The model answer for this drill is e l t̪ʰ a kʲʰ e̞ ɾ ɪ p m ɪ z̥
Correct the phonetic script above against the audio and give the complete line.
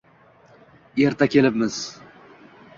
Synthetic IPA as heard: e ɾ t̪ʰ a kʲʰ e̞ l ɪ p m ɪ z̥

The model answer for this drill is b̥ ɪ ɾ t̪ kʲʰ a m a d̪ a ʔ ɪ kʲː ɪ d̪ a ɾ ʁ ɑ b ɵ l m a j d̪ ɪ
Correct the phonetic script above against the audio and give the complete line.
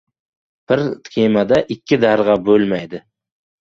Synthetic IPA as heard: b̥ ɪ ɾ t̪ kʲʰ e m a d̪ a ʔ ɪ kʲː ɪ d̪ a ɾ ʁ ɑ b ɵ l m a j d̪ ɪ

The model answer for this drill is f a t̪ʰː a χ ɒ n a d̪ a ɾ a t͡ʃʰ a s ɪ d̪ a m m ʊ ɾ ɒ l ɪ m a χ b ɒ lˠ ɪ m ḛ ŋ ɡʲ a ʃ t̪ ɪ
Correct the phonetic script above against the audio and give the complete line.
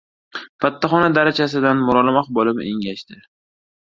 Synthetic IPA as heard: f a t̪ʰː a χ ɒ n a d̪ a ɾ a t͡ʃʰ a s ɪ d̪ a n m ʊ ɾ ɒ l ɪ m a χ b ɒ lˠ ɪ m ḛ ŋ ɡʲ a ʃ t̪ ɪ

